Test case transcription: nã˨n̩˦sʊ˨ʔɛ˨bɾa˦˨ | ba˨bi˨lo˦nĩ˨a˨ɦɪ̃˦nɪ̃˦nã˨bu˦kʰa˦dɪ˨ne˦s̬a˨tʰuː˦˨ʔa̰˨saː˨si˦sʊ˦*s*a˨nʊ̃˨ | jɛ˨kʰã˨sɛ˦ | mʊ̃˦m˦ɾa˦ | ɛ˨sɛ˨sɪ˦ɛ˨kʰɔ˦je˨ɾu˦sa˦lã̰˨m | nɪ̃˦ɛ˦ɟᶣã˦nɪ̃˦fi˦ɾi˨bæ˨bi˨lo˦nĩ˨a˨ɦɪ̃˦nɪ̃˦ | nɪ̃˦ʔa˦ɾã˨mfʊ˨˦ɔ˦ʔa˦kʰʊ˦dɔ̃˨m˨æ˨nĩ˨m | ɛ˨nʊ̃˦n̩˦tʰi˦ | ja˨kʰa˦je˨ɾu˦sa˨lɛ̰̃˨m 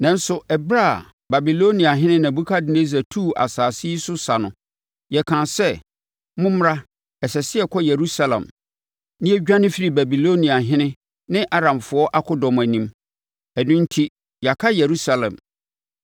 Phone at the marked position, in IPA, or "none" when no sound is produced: s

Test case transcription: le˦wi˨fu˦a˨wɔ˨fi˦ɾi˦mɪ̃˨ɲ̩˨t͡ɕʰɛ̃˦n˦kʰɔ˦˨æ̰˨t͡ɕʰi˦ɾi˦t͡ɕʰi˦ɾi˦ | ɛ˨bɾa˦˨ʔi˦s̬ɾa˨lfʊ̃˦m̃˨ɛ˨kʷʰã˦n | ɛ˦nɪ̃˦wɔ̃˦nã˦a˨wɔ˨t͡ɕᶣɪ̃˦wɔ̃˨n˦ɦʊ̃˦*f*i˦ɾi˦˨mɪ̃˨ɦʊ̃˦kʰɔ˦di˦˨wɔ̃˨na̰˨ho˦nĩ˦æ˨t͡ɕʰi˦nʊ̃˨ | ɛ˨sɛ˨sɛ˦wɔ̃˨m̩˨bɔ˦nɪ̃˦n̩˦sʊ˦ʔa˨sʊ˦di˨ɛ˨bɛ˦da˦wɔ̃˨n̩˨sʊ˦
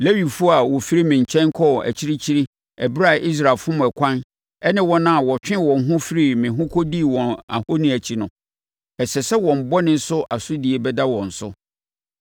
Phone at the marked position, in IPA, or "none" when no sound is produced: f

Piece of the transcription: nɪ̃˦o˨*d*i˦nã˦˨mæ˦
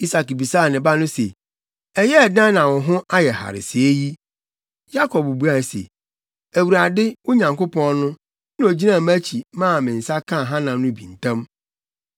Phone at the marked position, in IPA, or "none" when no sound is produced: d͡ʑ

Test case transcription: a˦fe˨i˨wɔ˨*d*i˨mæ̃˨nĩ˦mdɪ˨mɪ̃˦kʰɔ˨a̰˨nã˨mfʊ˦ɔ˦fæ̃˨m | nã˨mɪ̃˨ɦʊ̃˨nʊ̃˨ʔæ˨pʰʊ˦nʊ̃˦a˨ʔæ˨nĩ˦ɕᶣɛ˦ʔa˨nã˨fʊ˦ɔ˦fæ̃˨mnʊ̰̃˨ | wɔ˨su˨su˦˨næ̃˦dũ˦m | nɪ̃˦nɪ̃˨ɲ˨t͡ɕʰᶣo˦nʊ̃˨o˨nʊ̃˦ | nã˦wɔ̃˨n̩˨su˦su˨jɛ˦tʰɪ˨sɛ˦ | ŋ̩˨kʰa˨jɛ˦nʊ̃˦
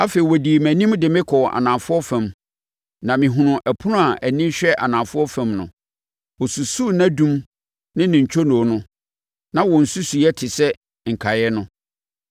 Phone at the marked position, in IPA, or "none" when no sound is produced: d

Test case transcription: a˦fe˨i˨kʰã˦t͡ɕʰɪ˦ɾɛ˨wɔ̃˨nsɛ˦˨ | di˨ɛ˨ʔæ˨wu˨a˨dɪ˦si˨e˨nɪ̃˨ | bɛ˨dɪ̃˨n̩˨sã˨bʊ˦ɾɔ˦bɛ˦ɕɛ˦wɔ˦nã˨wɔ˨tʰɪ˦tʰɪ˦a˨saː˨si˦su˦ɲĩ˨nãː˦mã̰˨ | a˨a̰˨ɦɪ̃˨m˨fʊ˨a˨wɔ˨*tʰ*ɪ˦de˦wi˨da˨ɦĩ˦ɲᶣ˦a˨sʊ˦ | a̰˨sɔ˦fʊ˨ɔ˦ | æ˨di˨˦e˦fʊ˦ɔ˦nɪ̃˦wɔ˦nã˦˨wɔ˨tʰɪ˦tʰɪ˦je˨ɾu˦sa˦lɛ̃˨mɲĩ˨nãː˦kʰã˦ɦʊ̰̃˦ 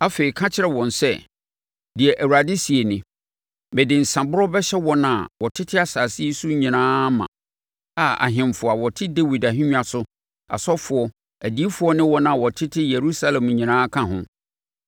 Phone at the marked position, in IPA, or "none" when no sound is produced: tʰ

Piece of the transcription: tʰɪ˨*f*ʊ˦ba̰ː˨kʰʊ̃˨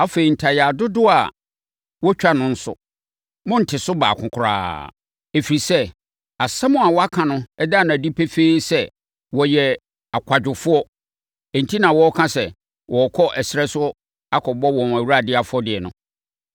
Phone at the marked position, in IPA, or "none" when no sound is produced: s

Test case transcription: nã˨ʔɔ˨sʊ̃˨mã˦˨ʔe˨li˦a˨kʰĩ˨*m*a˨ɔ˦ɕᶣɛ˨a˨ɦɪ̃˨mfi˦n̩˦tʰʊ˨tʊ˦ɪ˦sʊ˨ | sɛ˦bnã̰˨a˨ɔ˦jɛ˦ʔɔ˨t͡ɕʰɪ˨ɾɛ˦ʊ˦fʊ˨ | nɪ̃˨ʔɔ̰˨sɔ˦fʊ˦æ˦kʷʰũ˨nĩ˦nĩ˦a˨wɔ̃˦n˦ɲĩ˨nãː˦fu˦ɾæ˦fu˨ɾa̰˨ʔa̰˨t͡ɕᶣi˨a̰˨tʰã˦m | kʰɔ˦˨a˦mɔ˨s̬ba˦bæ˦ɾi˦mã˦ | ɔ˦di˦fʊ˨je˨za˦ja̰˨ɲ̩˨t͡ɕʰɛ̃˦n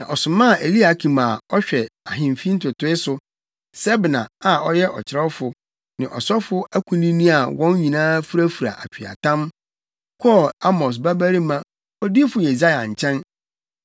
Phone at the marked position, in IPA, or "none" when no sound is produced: m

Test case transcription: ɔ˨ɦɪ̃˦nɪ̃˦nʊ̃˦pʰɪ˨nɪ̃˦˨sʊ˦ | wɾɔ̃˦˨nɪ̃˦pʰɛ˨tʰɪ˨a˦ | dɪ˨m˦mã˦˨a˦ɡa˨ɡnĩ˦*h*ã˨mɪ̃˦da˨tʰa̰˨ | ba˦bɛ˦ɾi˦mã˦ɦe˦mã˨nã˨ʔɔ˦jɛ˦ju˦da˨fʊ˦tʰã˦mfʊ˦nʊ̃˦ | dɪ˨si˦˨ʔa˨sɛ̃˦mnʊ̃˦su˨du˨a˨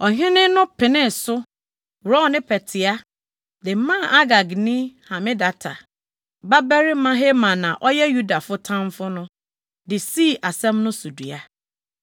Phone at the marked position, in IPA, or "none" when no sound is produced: h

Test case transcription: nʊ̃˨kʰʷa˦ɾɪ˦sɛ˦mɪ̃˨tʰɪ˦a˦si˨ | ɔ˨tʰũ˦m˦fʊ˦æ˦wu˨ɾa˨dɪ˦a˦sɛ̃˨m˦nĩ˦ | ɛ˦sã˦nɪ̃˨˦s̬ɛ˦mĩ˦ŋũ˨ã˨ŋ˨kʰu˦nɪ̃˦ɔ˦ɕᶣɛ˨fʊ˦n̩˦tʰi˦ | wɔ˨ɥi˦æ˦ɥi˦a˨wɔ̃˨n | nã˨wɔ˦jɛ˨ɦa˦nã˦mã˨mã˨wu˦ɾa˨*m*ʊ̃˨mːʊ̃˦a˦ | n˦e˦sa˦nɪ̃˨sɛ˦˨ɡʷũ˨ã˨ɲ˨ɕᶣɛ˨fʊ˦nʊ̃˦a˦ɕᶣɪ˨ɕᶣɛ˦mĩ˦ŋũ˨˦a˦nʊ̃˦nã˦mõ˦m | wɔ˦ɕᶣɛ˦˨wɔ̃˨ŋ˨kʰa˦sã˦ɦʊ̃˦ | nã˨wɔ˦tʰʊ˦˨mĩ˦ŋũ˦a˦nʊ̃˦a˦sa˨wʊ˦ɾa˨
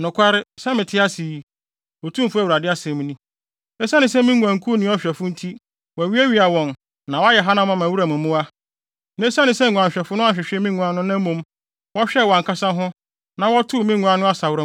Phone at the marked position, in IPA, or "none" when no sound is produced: m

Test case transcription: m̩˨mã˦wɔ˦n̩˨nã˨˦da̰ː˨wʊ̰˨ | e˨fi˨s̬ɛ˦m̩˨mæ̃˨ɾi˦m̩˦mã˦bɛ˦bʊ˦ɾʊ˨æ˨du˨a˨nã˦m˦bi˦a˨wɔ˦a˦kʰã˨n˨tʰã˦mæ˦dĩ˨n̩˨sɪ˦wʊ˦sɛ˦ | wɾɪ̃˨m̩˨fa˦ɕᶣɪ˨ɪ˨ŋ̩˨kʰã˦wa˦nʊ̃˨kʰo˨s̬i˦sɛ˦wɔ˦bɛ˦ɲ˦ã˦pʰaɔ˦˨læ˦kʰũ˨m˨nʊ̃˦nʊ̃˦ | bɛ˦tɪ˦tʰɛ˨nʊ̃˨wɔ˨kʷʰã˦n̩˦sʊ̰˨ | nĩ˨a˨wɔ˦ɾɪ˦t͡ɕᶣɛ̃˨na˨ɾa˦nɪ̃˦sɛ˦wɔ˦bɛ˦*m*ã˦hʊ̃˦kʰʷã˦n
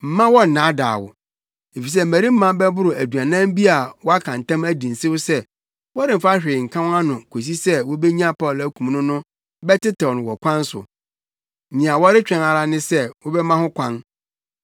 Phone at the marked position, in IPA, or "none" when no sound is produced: m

